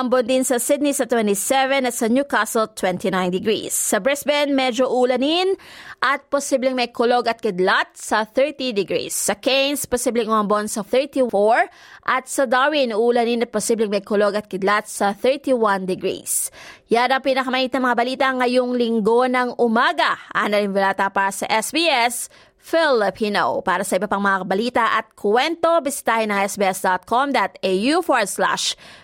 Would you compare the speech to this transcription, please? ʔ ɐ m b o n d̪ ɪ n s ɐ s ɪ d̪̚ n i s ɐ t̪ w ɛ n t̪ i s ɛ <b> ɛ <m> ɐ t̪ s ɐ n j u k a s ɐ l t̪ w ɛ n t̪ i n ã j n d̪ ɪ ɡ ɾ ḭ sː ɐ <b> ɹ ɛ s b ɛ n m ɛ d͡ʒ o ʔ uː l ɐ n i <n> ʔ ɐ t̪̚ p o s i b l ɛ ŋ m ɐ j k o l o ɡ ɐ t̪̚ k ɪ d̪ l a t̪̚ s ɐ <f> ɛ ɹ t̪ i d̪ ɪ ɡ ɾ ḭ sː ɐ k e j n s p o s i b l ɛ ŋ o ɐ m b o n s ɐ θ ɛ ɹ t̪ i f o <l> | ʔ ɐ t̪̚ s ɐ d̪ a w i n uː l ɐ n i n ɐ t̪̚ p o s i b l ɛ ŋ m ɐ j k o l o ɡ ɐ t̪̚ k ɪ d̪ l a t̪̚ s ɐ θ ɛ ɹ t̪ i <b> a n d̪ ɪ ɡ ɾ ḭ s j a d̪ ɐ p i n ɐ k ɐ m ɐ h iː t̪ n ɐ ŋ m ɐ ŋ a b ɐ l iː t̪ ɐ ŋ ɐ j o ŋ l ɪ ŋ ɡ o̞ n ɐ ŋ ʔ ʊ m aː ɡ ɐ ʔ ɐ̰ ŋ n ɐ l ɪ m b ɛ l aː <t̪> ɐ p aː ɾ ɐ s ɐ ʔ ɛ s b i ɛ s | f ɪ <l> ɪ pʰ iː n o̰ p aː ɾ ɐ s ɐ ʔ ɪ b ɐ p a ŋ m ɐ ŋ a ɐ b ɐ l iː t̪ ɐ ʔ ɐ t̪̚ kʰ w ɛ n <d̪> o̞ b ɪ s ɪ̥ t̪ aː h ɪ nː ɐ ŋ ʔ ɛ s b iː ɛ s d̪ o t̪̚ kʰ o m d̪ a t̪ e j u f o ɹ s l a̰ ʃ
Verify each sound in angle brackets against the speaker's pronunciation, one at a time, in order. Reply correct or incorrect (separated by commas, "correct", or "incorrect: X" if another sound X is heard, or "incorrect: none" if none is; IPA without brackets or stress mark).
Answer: incorrect: v, incorrect: n, correct, correct, incorrect: θ, incorrect: ɹ, incorrect: w, correct, correct, incorrect: t̪